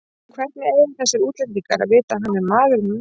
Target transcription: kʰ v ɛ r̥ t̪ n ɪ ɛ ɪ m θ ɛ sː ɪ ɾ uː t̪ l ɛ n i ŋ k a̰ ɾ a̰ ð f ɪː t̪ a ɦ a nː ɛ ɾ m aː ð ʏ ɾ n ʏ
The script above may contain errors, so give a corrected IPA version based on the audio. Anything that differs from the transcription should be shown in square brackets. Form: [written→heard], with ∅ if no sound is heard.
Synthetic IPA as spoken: kʰ v ɛ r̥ t̪ n ɪ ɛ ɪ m θ ɛ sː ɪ ɾ uː t̪ l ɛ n i ŋ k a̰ ɾ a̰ ð [f→v] ɪː t̪ a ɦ a nː ɛ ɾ m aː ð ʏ ɾ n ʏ

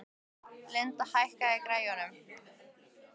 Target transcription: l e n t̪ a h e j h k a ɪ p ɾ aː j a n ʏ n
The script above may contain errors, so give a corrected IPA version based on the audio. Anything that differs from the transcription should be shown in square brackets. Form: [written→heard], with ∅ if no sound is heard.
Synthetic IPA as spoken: l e n t̪ a h [e→a] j h k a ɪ [p→k] ɾ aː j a n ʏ [n→m]

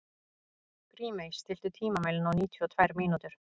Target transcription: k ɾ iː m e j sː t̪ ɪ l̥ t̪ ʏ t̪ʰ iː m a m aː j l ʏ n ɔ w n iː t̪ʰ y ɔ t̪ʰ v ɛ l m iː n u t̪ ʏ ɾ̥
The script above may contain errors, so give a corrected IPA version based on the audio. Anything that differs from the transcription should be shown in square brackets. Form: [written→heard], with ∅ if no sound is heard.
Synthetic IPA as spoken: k ɾ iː m e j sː t̪ ɪ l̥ t̪ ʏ t̪ʰ iː m a m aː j l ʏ n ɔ w n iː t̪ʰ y ɔ t̪ʰ v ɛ [l→ɾ] m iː n u t̪ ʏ ɾ̥

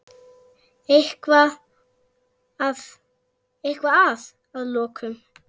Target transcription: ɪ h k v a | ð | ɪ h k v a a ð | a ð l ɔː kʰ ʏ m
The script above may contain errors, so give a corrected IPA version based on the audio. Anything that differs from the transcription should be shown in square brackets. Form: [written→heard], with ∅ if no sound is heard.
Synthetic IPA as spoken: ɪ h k v a | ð | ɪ h k v a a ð | a ð l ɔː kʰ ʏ m

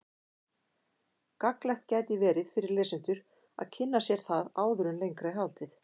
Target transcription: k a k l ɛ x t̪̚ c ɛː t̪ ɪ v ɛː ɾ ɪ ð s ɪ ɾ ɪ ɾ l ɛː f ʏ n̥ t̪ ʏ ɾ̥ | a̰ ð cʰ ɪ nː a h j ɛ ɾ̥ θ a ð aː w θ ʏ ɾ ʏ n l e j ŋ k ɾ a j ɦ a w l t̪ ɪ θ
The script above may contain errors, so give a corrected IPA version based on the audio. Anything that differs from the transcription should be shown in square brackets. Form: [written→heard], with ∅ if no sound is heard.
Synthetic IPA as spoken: k a k l ɛ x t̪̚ c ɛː t̪ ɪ v ɛː ɾ ɪ ð [s→f] ɪ ɾ ɪ ɾ l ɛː [f→s] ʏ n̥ t̪ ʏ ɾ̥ | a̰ ð cʰ ɪ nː a [h→s] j ɛ ɾ̥ θ a ð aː w [θ→ð] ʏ ɾ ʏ n l e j ŋ k ɾ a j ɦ a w l t̪ ɪ θ

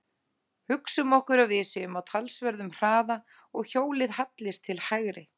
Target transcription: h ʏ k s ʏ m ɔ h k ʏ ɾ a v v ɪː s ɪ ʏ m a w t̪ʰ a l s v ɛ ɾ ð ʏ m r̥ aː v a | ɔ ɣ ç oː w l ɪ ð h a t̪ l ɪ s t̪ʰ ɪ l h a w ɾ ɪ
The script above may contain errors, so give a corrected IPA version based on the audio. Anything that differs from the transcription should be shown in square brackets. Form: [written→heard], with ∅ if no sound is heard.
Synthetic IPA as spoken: h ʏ k s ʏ m ɔ h k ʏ ɾ a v v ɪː s ɪ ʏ m a w t̪ʰ a l s v ɛ ɾ ð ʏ m r̥ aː [v→ð] a | ɔ ɣ ç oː w l ɪ ð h a t̪ l ɪ s t̪ʰ ɪ l h a [w→ɣ] ɾ ɪ

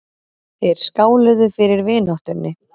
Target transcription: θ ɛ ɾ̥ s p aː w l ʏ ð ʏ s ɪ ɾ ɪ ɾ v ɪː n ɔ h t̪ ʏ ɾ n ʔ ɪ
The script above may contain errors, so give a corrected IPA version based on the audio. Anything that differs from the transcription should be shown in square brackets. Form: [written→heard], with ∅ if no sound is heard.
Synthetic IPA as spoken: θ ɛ ɾ̥ s [p→k] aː w l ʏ ð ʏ [s→f] ɪ ɾ ɪ ɾ v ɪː n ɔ h t̪ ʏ ɾ n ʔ ɪ

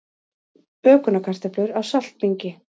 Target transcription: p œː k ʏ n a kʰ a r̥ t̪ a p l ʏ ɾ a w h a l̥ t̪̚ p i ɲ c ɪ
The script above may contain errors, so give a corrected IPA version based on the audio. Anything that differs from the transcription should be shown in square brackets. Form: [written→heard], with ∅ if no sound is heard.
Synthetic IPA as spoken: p œː k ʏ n a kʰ a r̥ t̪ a p l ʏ ɾ a w [h→s] a l̥ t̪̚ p i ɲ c ɪ

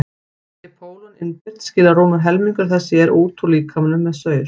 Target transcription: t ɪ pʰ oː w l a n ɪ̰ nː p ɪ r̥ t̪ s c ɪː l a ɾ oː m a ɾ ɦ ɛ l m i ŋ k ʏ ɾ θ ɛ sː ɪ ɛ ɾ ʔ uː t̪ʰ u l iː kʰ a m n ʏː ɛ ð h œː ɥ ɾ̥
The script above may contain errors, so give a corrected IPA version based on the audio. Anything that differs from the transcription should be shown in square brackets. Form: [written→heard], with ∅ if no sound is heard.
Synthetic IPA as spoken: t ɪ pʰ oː w l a n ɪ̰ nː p ɪ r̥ t̪ s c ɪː l a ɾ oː m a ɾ ɦ ɛ l m i ŋ k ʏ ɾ θ ɛ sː ɪ ɛ ɾ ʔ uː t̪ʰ u l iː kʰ a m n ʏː ɛ ð [h→s] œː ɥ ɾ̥

